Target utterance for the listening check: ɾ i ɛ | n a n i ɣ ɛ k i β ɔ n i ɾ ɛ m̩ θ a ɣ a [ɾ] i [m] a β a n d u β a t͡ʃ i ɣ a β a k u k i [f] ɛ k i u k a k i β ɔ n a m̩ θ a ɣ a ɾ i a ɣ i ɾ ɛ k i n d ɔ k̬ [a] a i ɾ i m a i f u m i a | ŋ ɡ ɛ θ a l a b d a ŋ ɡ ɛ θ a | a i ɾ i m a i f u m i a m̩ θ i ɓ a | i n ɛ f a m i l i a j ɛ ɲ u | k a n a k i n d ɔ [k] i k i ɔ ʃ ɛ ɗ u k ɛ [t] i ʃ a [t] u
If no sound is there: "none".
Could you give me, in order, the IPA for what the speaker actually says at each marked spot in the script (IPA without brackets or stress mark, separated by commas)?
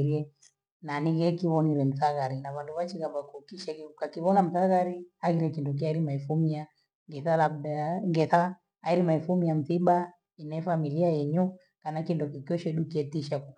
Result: ɾ, n, ʃ, i, k, t, k